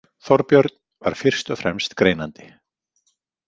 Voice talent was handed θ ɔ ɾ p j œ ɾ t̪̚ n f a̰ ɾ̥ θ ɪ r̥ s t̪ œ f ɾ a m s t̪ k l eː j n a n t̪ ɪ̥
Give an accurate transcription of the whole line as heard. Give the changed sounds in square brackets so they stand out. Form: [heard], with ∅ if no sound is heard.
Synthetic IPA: θ ɔ ɾ p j œ ɾ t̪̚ n [v] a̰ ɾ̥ [f] ɪ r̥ s t̪ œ f ɾ [ɛ] m s t̪ k [ɾ] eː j n a n t̪ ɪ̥